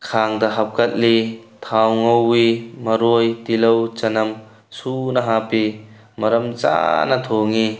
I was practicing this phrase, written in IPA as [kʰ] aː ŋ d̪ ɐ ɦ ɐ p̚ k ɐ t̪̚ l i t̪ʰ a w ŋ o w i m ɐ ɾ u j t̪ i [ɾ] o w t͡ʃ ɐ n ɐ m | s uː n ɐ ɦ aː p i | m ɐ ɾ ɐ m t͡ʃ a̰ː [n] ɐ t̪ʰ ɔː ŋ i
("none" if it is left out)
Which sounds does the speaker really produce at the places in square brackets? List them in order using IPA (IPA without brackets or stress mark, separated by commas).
kʰ, l, n